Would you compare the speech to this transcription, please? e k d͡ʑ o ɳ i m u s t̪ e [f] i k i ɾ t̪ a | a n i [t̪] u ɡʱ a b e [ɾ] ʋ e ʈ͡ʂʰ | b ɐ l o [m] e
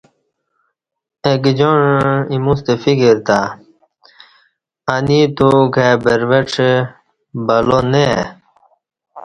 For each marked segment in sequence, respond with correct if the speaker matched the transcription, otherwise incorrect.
correct, correct, correct, incorrect

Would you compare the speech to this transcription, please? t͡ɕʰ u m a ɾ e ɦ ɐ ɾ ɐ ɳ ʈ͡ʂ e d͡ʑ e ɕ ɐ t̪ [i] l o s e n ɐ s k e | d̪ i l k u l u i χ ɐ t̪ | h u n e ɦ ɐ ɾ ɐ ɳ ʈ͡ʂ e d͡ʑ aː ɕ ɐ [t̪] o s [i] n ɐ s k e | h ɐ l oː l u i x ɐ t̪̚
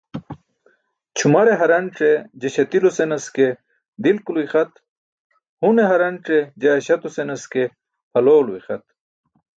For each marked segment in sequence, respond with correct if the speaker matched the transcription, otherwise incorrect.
correct, correct, incorrect

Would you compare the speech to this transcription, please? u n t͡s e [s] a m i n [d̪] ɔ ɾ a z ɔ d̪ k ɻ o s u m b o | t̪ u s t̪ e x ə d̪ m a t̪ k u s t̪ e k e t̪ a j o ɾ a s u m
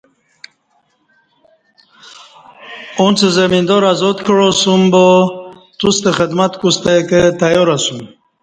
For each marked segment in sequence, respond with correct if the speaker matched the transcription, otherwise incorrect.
incorrect, correct

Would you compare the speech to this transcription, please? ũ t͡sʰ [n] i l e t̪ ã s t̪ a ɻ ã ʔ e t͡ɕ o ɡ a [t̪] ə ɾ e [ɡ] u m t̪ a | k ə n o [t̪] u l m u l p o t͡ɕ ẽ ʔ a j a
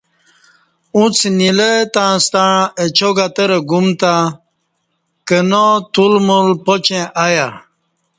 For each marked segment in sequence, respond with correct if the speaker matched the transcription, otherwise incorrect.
correct, correct, correct, correct

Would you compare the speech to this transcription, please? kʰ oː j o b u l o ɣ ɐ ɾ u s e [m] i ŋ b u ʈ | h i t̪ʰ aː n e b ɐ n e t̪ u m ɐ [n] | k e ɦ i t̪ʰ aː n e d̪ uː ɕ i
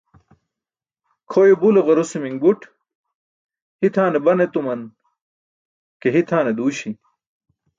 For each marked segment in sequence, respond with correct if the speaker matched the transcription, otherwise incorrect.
correct, correct

